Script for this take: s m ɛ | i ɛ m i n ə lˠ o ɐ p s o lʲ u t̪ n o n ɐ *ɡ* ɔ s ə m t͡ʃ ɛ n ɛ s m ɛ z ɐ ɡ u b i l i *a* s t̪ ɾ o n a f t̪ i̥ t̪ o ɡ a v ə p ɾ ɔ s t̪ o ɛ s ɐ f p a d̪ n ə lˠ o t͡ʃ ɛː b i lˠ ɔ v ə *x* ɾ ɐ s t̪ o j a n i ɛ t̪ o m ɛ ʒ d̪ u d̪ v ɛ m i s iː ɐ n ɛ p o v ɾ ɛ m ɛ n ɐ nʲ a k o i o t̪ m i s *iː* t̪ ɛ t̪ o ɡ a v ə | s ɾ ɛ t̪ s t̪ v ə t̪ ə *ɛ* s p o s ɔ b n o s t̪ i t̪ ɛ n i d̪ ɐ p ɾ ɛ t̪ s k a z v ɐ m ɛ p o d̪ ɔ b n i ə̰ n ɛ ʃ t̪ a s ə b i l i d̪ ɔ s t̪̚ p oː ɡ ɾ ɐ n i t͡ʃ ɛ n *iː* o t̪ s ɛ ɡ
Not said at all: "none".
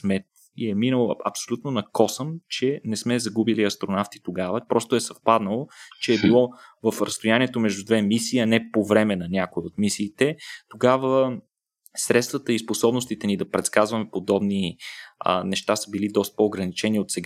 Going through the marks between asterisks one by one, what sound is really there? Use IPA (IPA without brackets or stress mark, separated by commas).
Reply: k, ɐ, f, iː, i, i